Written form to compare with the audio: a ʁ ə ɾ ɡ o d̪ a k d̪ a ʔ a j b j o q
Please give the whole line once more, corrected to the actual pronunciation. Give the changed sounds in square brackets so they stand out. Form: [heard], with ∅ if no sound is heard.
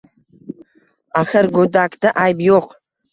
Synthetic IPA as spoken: a [χ] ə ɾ ɡ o d̪ a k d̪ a ʔ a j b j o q

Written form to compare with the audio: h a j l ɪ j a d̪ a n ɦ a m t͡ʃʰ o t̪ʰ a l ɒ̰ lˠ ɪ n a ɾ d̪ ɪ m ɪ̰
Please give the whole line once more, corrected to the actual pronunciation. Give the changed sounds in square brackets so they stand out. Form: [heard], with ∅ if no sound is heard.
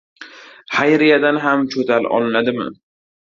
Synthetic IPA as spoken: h a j [ɾ] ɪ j a d̪ a n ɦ a m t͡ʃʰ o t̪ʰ a l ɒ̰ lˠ ɪ n a [∅] d̪ ɪ m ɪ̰

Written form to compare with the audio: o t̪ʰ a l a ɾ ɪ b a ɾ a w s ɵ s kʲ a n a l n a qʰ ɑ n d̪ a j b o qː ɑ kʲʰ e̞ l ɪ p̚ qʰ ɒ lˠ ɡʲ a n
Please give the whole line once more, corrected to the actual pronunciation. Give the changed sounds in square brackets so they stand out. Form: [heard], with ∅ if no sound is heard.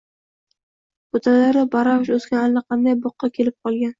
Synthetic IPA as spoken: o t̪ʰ a l a ɾ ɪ b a ɾ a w [ʃ] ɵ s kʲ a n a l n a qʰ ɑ n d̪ a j b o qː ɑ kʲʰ e̞ l ɪ p̚ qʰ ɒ lˠ ɡʲ a n

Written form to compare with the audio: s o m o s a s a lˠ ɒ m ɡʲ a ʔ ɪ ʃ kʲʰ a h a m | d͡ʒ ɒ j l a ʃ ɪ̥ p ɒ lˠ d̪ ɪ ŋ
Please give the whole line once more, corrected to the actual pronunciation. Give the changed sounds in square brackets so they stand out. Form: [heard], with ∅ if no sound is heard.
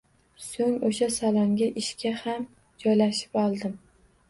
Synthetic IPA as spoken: s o [ŋ] o [ʃ] a s a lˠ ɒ [ŋ] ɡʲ a ʔ ɪ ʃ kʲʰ a h a m | d͡ʒ ɒ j l a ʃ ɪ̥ p ɒ lˠ d̪ ɪ [m]

